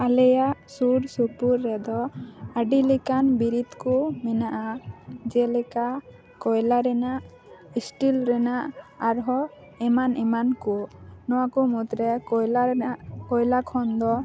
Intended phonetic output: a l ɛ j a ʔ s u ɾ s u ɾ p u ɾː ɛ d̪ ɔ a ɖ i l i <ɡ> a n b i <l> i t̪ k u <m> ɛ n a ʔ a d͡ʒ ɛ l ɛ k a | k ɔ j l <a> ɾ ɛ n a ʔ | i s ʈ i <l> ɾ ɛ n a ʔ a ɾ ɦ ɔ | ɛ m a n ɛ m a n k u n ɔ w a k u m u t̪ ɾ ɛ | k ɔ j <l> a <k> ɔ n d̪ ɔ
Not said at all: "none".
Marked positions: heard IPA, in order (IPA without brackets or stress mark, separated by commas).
k, ɾ, m, a, l, l, kʰ